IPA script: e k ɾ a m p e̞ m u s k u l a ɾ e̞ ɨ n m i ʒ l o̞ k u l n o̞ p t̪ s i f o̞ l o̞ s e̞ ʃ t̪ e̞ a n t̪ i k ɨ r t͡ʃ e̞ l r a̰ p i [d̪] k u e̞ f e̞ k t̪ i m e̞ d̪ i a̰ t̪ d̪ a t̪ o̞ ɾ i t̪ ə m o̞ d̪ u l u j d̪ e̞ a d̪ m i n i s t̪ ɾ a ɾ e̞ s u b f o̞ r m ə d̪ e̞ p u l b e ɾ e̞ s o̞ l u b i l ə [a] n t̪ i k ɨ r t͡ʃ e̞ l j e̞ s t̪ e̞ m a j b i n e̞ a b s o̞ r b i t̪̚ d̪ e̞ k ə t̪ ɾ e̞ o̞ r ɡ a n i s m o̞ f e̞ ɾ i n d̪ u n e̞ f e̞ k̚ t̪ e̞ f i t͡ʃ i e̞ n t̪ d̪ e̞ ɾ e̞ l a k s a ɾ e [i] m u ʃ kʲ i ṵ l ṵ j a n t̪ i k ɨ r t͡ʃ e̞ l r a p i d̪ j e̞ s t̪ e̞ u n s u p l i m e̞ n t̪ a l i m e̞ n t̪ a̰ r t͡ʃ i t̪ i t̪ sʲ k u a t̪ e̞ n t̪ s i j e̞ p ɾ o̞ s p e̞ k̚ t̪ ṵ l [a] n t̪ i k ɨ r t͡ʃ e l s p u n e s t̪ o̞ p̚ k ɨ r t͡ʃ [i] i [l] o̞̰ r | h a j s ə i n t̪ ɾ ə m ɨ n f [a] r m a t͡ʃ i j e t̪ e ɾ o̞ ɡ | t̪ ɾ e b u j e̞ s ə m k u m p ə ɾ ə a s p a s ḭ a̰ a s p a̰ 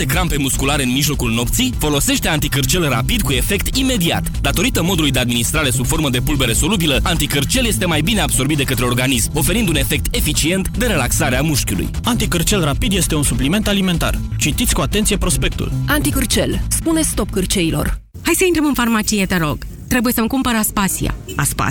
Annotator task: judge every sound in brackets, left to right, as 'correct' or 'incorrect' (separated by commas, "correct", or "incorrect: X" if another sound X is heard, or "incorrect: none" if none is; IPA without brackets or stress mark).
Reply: correct, correct, incorrect: a, correct, incorrect: e, correct, correct